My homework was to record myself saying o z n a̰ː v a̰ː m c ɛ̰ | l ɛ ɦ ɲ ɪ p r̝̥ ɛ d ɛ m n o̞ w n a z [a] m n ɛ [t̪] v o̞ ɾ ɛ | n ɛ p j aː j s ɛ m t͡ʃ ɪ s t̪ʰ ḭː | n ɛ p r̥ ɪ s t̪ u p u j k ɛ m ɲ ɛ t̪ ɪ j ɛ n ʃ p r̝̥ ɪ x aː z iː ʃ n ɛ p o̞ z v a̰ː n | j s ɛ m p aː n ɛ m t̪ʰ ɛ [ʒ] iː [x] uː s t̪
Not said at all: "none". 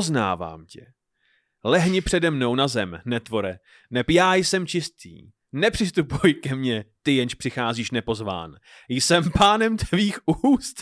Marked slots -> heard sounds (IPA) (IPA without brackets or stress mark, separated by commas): ɛ, t̪, v, x